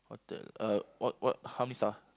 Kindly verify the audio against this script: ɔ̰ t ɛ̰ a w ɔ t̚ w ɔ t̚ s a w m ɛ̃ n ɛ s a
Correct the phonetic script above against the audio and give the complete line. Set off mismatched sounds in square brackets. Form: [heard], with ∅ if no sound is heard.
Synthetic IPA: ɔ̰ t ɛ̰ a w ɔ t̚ w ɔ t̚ [h] a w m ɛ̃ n [i] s a